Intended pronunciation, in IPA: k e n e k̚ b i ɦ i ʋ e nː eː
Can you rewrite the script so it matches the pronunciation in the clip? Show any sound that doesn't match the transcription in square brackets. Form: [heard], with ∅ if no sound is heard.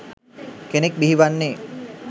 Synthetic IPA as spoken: k e n e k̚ b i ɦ i ʋ [a] nː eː

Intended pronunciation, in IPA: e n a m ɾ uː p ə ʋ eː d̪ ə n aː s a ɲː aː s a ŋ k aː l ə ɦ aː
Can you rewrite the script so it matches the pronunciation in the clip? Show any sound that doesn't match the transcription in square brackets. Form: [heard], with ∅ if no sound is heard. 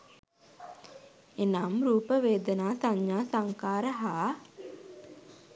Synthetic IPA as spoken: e n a m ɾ uː p ə ʋ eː d̪ ə n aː s a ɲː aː s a ŋ k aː [ɾ] ə ɦ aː

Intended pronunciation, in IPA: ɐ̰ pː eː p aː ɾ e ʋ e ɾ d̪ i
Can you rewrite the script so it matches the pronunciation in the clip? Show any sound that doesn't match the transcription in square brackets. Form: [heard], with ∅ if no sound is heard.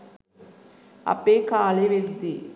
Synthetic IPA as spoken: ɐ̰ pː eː [k] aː [l] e ʋ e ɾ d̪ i

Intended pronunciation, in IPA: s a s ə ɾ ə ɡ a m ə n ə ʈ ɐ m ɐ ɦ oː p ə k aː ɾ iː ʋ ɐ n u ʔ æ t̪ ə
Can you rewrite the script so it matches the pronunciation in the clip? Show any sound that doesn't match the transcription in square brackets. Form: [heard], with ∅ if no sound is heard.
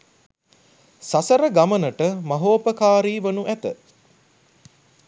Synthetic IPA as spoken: s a s ə ɾ ə ɡ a m ə n ə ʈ [ə] m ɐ ɦ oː p ə k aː ɾ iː ʋ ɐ n u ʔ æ t̪ ə

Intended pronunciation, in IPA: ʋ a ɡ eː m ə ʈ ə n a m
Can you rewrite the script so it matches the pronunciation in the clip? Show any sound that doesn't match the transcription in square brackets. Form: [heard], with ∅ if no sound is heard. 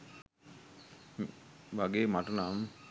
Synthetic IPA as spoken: ʋ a ɡ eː m [a] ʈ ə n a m

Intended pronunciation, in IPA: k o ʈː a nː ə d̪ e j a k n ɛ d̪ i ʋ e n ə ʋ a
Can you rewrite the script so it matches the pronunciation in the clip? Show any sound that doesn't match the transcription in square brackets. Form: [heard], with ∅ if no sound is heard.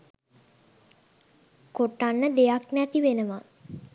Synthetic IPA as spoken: k o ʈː a nː ə d̪ e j a k n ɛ [t̪] i ʋ e n ə ʋ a

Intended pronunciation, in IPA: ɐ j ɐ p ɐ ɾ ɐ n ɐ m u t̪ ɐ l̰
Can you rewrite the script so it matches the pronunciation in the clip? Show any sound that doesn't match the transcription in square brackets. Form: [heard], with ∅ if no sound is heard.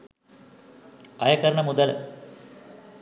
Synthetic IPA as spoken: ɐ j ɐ [k] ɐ ɾ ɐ [ɳ] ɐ m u [d̪] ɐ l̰

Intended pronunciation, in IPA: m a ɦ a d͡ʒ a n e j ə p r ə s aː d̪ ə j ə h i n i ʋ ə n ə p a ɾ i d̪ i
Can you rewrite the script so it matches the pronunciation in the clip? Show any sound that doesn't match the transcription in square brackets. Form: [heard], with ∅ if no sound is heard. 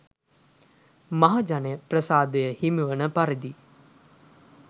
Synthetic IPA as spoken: m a ɦ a d͡ʒ a n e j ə p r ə s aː d̪ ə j ə h i [m] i ʋ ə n ə p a ɾ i d̪ i

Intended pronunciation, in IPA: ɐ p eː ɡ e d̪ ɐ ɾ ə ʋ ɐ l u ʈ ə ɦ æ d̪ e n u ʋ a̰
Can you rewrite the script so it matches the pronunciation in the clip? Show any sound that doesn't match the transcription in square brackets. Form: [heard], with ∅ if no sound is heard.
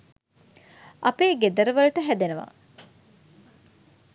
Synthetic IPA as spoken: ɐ p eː ɡ e d̪ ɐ ɾ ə ʋ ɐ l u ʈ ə ɦ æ d̪ e n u ʋ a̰

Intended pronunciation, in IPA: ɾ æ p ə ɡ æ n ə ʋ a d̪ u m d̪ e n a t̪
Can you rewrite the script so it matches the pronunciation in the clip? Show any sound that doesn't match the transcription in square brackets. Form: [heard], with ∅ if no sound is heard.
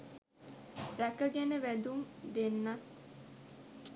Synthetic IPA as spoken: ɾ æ [k] ə ɡ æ n ə ʋ [æ] d̪ u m d̪ e [nː] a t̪

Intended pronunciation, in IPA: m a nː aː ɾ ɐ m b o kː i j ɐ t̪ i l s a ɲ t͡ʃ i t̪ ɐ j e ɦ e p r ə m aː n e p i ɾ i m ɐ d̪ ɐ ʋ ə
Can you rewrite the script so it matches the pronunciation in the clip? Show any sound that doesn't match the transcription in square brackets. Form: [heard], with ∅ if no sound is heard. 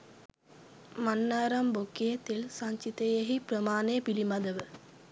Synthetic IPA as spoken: m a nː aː ɾ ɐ m b o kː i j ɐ t̪ i l s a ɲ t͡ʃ i t̪ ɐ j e ɦ [i] p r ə m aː n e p i [l] i m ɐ d̪ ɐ ʋ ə

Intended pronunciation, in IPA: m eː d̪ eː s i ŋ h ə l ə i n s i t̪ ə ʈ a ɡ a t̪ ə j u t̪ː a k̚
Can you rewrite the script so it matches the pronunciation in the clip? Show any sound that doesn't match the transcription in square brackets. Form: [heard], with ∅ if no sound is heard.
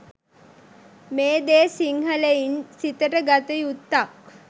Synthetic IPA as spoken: m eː d̪ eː s i ŋ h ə l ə i n s i t̪ ə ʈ [ə] ɡ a t̪ ə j u t̪ː a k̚

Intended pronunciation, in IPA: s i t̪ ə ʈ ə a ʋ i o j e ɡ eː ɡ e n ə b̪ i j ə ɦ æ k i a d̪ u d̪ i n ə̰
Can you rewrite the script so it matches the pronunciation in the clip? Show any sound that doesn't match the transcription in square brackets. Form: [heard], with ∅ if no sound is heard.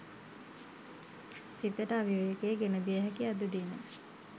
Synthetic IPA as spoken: s i t̪ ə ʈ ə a ʋ i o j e [k] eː ɡ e n ə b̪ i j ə ɦ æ k i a d̪ u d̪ i n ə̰

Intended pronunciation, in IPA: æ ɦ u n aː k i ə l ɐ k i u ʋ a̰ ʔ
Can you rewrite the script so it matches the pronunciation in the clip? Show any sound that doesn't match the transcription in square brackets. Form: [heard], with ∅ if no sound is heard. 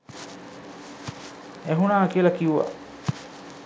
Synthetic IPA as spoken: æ ɦ u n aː k i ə l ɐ k i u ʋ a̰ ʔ

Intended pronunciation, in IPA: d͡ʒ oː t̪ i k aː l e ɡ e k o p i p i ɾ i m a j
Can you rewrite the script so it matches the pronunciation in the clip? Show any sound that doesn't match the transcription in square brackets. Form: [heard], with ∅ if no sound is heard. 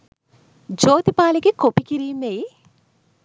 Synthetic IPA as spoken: d͡ʒ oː t̪ i [p] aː l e ɡ e k o p i [k] i ɾ [iː] m [e] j

